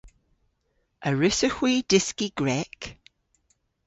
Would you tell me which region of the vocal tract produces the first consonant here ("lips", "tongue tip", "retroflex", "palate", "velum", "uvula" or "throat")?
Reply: tongue tip